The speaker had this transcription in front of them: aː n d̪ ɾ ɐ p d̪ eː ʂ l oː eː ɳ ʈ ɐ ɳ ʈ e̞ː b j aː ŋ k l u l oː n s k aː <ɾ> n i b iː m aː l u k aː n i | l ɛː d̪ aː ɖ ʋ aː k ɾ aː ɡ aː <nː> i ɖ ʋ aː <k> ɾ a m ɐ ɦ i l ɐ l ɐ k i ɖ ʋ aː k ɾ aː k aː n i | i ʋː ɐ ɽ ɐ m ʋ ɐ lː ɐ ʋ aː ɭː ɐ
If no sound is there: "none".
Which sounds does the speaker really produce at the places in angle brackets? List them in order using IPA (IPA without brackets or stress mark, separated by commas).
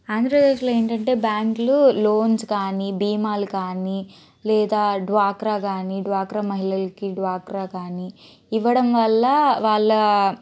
none, n, k